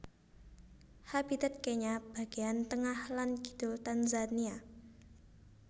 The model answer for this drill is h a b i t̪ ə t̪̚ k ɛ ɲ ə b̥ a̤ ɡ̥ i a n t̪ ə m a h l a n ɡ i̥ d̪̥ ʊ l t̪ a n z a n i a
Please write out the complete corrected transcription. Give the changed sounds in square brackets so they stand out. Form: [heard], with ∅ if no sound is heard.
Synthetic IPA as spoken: h a b i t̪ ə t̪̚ k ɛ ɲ [a] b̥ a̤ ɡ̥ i a n t̪ ə [ŋ] a h l a n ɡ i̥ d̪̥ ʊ l t̪ a n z a n i a